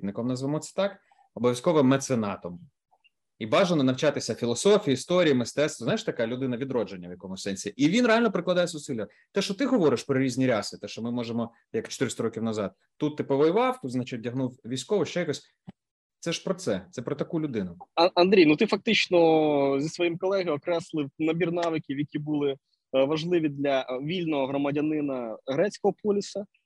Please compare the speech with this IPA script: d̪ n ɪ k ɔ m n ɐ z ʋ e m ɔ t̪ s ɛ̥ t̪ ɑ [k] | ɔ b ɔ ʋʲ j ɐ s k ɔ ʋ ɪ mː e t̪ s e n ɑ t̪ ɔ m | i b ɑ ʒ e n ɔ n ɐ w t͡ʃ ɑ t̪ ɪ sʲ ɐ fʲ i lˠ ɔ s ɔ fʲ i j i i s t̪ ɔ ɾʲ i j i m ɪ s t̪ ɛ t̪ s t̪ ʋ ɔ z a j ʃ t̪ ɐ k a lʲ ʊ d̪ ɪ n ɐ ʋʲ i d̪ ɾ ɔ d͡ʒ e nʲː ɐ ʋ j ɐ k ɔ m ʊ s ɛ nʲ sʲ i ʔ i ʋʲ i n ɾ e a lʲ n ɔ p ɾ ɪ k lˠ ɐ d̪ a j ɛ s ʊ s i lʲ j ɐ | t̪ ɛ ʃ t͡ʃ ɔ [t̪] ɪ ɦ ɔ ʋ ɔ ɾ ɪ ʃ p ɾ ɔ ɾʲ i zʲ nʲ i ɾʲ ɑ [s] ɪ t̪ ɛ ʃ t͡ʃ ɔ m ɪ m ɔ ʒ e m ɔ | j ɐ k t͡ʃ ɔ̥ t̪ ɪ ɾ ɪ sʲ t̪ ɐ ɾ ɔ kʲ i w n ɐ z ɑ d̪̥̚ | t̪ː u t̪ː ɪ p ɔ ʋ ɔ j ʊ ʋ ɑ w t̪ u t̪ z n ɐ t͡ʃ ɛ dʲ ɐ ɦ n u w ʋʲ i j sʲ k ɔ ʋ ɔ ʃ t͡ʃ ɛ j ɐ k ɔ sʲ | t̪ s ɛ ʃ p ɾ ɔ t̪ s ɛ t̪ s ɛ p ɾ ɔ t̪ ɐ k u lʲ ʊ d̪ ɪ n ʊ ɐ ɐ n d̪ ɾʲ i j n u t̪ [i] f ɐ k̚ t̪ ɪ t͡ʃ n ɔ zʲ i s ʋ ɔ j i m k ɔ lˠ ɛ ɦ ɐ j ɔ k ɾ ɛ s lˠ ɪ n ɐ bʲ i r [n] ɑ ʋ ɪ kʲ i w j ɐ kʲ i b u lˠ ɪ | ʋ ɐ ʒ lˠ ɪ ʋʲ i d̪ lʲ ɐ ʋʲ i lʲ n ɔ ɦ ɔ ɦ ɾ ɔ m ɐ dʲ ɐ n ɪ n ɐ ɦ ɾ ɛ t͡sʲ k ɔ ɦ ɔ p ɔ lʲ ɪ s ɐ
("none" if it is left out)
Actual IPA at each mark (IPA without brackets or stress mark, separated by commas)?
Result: k, t̪, s, ɪ, n